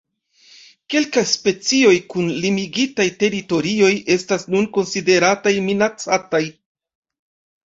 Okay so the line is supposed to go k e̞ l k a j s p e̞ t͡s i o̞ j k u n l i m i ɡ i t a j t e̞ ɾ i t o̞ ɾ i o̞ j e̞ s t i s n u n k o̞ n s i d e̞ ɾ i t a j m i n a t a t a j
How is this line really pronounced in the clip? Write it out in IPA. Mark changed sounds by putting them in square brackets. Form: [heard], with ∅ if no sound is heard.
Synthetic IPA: k e̞ l k a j s p e̞ t͡s i o̞ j k u n l i m i ɡ i t a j t e̞ ɾ i t o̞ ɾ i o̞ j e̞ s t [a] s n u n k o̞ n s i d e̞ ɾ [a] t a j m i n a [t͡s] a t a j

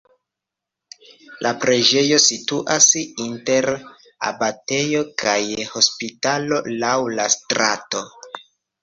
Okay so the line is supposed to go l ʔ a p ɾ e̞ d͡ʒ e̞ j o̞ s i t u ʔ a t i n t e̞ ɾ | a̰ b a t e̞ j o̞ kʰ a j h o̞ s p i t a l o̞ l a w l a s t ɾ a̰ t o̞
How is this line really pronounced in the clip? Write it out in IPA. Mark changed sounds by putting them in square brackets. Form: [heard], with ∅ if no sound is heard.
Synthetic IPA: l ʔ a p ɾ e̞ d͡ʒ e̞ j o̞ s i t u ʔ a [s] i n t e̞ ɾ | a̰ b a t e̞ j o̞ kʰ a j h o̞ s p i t a l o̞ l a w l a s t ɾ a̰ t o̞

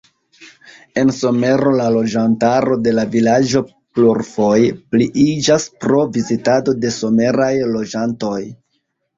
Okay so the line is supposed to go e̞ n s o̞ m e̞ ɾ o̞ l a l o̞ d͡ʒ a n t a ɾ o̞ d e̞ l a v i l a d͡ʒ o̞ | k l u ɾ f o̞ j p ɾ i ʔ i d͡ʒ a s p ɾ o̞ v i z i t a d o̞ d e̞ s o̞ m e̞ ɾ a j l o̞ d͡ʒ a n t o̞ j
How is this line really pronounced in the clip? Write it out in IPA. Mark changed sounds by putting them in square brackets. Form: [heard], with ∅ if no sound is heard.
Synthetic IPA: e̞ n s o̞ m e̞ ɾ o̞ l a l o̞ d͡ʒ a n t a ɾ o̞ d e̞ l a v i l a d͡ʒ o̞ | [p] l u ɾ f o̞ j p [l] i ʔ i d͡ʒ a s p ɾ o̞ v i z i t a d o̞ d e̞ s o̞ m e̞ ɾ a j l o̞ d͡ʒ a n t o̞ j

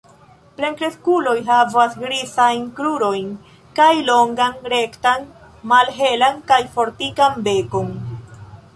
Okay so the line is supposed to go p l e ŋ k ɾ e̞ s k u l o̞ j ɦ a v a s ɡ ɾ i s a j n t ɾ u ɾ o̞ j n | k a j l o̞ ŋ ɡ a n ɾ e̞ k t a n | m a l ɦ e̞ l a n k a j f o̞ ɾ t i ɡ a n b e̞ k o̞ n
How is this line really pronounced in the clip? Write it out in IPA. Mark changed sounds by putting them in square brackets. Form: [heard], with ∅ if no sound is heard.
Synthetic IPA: p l e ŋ k ɾ e̞ s k u l o̞ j ɦ a v a s ɡ ɾ i s a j n [k] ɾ u ɾ o̞ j n | k a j l o̞ ŋ ɡ a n ɾ e̞ k t a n | m a l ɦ e̞ l a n k a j f o̞ ɾ t i [k] a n b e̞ k o̞ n

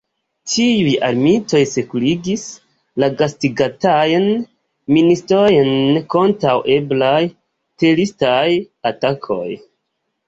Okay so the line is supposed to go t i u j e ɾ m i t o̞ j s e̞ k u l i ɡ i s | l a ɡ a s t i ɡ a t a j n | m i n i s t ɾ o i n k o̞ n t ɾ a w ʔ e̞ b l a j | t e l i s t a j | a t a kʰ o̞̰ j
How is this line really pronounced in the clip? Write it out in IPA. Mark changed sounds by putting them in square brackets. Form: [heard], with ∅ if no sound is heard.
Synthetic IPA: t i u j [a] ɾ m i t o̞ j s e̞ k u l i ɡ i s | l a ɡ a s t i ɡ a t a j n | m i n i s t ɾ o [j] n k o̞ n t ɾ a w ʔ e̞ b l a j | t e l i s t a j | a t a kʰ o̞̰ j

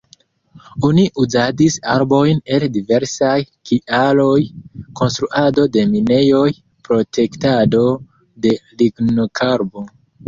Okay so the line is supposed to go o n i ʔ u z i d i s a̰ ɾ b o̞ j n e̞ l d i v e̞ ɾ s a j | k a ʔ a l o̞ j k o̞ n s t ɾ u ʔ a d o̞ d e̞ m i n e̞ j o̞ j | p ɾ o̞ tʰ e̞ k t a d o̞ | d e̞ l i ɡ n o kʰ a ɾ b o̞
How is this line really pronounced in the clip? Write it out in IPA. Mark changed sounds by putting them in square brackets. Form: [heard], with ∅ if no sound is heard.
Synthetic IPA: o n i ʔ u z [a] d i s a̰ ɾ b o̞ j n e̞ l d i v e̞ ɾ s a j | k [i] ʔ a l o̞ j k o̞ n s t ɾ u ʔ a d o̞ d e̞ m i n e̞ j o̞ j | p ɾ o̞ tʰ e̞ k t a d o̞ | d e̞ l i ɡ n o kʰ a ɾ b o̞

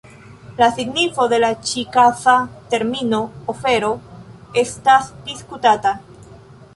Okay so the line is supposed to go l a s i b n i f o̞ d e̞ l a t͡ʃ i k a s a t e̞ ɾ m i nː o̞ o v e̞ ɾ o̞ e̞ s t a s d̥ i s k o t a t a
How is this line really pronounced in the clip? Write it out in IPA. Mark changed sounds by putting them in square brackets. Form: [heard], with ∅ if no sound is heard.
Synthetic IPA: l a s i [ɡ] n i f o̞ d e̞ l a t͡ʃ i k a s a t e̞ ɾ m i [n] o̞ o [f] e̞ ɾ o̞ e̞ s t a s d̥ i s k [u] t a t a

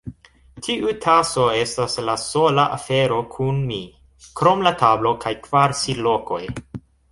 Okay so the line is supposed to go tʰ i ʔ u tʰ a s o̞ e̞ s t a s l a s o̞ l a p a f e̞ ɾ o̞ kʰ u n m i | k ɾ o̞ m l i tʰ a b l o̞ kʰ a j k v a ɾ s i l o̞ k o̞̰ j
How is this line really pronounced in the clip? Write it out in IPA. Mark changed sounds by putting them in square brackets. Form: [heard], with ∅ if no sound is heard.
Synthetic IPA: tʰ i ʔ u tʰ a s o̞ e̞ s t a s l a s o̞ l a [ʔ] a f e̞ ɾ o̞ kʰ u n m i | k ɾ o̞ m l [a] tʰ a b l o̞ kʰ a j k v a ɾ s i l o̞ k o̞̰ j

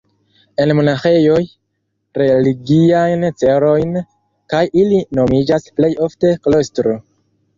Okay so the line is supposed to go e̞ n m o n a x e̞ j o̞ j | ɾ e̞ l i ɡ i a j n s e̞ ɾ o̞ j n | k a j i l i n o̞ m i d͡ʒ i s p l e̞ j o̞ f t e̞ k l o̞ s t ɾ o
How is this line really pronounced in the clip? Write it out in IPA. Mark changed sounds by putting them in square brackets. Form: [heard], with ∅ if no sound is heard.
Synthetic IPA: e̞ n m o n a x e̞ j o̞ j | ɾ e̞ l i ɡ i a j n [t͡s] e̞ ɾ o̞ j n | k a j i l i n o̞ m i d͡ʒ [a] s p l e̞ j o̞ f t e̞ k l o̞ s t ɾ o

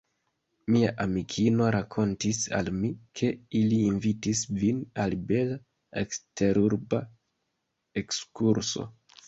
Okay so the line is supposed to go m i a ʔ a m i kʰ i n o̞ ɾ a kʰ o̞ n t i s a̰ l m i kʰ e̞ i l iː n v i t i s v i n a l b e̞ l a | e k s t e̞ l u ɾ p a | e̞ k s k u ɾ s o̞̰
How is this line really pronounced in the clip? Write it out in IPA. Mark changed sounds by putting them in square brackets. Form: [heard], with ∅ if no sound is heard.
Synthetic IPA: m i a ʔ a m i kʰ i n o̞ ɾ a kʰ o̞ n t i s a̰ l m i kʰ e̞ i l iː n v i t i s v i n a l b e̞ l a | e k s t e̞ [ɾ] u ɾ [b] a | e̞ k s k u ɾ s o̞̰

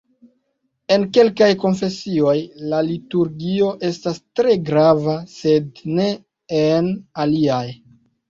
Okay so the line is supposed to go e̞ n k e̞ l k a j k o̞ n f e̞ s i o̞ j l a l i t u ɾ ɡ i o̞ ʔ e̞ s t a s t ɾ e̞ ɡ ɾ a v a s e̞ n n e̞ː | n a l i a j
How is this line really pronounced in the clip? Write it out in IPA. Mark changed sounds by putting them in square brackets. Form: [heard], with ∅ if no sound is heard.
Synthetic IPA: e̞ n k e̞ l k a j k o̞ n f e̞ s i o̞ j l a l i t u ɾ ɡ i o̞ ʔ e̞ s t a s t ɾ e̞ ɡ ɾ a v a s e̞ [d] n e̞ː | n a l i a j

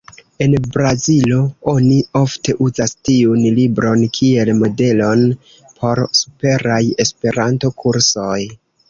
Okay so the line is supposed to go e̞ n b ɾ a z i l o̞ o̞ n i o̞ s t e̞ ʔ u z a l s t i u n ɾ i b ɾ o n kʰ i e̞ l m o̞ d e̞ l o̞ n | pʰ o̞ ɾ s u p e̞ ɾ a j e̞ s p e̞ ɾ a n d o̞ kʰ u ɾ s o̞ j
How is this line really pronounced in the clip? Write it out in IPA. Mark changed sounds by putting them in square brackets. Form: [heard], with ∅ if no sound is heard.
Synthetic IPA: e̞ n b ɾ a z i l o̞ o̞ n i o̞ [f] t e̞ ʔ u z a [∅] s t i u n [l] i b ɾ o n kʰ i e̞ l m o̞ d e̞ l o̞ n | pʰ o̞ ɾ s u p e̞ ɾ a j e̞ s p e̞ ɾ a n [t] o̞ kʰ u ɾ s o̞ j

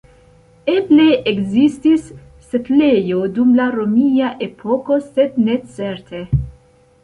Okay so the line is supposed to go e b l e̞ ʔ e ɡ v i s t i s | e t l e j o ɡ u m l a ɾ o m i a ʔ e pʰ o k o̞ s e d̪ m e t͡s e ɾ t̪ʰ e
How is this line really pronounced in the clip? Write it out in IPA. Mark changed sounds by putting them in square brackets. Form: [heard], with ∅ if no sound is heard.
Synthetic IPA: e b l e̞ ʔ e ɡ [z] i s t i [sː] | e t l e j o [d] u m l a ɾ o m i a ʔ e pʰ o k o̞ s e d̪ [n] e t͡s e ɾ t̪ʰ e

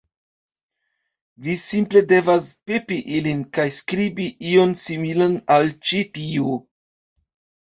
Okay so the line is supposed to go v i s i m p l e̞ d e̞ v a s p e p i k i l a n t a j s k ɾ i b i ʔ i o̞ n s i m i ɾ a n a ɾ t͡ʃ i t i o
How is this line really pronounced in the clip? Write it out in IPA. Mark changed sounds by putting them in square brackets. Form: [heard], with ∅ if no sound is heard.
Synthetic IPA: v i s i m p l e̞ d e̞ v a s p e p i [ʔ] i l [i] n [k] a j s k ɾ i b i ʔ i o̞ n s i m i [l] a n a [l] t͡ʃ i t i o

